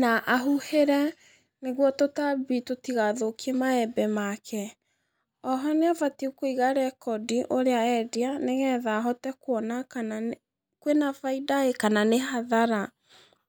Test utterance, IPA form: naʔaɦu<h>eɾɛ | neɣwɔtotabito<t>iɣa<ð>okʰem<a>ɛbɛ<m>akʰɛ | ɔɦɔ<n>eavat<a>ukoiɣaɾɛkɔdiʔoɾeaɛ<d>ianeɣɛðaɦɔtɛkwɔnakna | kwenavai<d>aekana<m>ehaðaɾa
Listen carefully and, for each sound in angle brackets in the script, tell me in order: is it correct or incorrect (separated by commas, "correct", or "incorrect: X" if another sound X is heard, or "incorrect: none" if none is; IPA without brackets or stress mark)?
correct, correct, correct, correct, correct, correct, incorrect: i, correct, correct, incorrect: n